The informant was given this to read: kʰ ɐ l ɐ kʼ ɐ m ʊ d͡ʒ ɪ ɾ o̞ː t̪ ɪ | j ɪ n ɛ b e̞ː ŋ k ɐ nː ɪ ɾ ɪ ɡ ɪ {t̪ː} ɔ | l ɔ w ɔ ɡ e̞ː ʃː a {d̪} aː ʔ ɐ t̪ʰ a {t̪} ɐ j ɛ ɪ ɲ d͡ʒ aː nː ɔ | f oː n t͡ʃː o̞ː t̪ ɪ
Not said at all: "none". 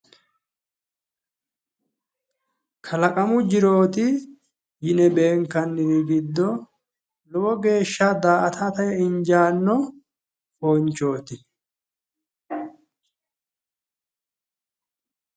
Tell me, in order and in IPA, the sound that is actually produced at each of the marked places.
d̪ː, d̪, t̪

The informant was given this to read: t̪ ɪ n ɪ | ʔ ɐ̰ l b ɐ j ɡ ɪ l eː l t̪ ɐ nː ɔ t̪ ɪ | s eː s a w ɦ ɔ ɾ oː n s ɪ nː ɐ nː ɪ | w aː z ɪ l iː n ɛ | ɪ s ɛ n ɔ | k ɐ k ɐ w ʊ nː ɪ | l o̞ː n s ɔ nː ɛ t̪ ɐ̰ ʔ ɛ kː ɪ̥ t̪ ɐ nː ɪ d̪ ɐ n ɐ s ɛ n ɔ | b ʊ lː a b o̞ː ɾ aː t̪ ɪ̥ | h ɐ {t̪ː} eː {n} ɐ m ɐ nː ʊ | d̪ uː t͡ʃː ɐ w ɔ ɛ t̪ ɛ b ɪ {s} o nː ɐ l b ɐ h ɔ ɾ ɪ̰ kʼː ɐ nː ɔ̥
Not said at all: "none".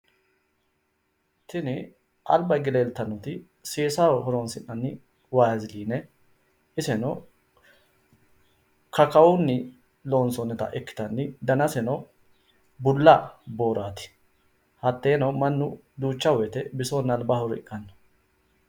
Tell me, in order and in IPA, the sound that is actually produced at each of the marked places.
t̪ː, n, s

